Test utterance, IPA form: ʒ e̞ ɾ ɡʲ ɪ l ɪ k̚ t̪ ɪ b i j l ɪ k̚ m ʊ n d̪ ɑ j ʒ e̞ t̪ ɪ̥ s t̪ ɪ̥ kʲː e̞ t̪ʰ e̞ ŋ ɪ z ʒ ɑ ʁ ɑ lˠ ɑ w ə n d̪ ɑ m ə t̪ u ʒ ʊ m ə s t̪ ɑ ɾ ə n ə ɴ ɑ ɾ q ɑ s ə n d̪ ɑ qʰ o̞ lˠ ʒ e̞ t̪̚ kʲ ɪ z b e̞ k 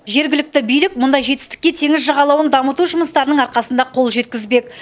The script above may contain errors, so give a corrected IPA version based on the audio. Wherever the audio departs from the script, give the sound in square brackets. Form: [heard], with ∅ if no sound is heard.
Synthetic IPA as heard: ʒ e̞ ɾ ɡʲ ɪ l ɪ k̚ t̪ ɪ b i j l ɪ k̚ m ʊ n d̪ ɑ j ʒ e̞ t̪ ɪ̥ s t̪ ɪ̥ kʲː e̞ t̪ʰ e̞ ŋ ɪ z ʒ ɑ ʁ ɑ lˠ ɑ w ə n d̪ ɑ m ə t̪ u ʒ ʊ m ə s t̪ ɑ ɾ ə n ə ɴ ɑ ɾ q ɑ s ə n d̪ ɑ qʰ o̞ lˠ ʒ e̞ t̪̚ kʲ ɪ z b e̞ k